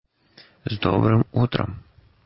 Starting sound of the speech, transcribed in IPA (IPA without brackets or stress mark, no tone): z